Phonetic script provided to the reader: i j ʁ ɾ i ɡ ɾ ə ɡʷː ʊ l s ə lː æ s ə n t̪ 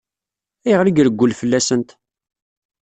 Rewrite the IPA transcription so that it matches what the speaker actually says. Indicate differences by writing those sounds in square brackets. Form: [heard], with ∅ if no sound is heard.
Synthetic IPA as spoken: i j ʁ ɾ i ɡ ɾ ə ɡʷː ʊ l [f] ə lː æ s ə n t̪